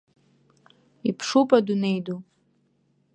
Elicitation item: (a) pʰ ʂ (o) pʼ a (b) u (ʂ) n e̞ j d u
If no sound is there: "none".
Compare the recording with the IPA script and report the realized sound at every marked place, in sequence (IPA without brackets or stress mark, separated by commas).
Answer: i, u, d, none